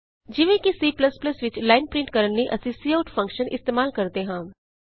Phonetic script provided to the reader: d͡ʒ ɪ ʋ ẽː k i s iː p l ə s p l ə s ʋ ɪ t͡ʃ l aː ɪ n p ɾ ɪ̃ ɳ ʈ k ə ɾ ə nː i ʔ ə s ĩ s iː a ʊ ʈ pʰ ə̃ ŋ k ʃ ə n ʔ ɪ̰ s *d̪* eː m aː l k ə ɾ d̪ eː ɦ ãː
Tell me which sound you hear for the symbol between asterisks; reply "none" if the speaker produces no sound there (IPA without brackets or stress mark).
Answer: t̪